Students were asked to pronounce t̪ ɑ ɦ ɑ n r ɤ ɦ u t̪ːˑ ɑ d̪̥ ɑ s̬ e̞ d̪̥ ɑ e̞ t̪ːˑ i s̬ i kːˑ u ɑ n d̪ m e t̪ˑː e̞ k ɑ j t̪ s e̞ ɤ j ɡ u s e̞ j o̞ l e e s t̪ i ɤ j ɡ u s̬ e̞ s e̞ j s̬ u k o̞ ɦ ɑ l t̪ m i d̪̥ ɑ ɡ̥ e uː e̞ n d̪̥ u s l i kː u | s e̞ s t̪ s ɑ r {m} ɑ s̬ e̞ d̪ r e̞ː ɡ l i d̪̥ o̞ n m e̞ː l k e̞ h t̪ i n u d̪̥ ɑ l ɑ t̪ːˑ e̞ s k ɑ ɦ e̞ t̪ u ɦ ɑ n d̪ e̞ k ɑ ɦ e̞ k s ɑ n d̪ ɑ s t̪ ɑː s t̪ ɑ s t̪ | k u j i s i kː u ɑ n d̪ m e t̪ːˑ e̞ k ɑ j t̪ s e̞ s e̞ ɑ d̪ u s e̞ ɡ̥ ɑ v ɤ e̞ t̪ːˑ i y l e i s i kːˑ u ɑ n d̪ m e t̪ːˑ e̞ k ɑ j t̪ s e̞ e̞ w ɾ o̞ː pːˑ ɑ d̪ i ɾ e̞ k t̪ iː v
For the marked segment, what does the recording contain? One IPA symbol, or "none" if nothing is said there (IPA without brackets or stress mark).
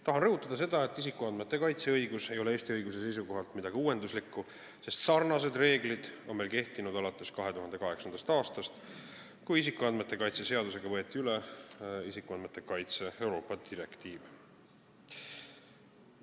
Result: n